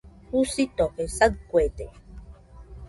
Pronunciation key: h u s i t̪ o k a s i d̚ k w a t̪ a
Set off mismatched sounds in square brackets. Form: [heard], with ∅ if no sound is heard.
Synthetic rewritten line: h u s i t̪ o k [e] s [a] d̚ k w [e] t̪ [e]

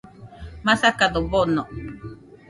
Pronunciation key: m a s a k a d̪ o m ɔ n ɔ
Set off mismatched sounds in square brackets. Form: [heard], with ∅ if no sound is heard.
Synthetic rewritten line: m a s a k a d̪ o [b] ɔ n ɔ

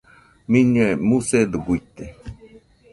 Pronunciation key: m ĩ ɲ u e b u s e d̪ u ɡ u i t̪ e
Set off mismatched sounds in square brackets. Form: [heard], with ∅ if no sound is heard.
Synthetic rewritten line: m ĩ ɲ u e [m] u s e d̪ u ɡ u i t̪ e

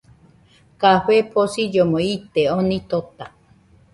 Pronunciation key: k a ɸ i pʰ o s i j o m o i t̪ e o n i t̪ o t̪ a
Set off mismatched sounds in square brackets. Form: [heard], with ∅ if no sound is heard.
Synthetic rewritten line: k a ɸ [e] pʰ o s i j o m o i t̪ e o n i t̪ o t̪ a

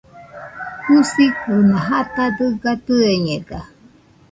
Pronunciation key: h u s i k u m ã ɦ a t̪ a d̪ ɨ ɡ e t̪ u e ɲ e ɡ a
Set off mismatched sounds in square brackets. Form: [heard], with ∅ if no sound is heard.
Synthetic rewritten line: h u s i k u [n] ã ɦ a t̪ a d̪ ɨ ɡ [a] t̪ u e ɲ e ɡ a

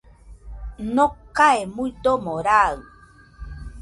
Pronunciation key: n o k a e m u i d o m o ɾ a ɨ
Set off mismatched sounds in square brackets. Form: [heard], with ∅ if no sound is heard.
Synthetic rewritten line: n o k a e m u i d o m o ɾ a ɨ

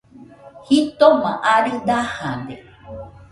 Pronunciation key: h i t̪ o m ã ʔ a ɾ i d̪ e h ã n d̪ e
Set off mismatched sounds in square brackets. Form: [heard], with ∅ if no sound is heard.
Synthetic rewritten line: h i t̪ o m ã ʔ a ɾ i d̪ [a] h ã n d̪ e

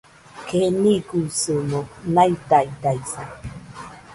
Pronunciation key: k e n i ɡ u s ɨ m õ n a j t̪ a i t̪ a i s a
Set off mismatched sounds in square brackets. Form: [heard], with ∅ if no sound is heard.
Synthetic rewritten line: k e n i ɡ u s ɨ m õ n a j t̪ a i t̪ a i s a

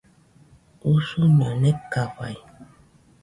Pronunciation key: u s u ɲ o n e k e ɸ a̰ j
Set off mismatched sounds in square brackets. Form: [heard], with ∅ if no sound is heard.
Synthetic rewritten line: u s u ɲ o n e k [a] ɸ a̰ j

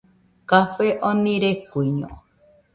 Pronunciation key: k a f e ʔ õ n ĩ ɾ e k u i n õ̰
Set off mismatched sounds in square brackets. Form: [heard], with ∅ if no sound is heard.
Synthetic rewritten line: k a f e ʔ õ n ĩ ɾ e k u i [ɲ] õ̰

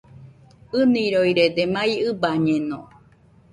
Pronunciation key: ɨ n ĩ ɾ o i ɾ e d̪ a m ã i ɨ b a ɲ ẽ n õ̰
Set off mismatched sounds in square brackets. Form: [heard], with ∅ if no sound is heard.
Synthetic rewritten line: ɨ n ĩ ɾ o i ɾ e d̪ [e] m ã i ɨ b a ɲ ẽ n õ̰

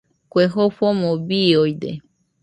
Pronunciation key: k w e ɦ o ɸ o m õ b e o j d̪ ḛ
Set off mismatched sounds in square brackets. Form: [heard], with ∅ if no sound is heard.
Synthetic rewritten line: k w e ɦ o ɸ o m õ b [i] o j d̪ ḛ

